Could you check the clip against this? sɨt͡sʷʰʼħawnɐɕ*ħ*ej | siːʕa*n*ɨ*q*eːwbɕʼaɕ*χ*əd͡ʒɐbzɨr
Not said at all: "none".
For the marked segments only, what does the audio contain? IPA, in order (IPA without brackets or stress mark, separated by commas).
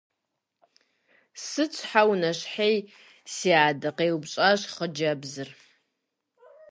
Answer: ħ, d, q, χ